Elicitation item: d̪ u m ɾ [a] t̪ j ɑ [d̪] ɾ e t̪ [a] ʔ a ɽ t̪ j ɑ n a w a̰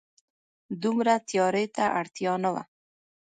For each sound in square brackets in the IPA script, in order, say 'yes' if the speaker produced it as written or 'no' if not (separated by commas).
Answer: yes, no, yes